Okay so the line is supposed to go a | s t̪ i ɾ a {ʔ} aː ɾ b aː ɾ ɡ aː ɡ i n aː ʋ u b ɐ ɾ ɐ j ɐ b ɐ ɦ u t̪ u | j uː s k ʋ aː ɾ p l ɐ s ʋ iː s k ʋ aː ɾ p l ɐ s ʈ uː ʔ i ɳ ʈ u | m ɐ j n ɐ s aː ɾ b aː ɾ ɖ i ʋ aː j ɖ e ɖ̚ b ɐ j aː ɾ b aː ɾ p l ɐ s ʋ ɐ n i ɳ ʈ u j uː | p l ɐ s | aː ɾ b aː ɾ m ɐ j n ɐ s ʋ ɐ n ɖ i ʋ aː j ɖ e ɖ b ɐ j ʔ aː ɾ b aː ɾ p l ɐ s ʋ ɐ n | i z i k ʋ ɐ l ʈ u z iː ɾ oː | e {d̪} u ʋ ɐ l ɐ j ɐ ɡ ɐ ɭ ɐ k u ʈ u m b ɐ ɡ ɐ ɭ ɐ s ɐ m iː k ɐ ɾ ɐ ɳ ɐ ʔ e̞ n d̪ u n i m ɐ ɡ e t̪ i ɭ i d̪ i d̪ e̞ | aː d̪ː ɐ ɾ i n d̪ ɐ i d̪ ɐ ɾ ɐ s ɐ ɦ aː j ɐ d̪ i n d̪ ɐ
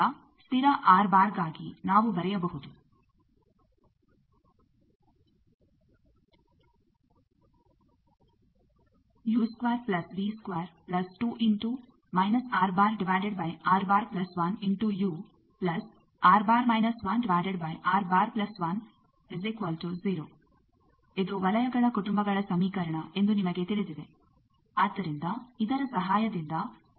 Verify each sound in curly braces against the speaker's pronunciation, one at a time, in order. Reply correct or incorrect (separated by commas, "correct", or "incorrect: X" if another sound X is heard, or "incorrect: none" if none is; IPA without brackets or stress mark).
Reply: correct, correct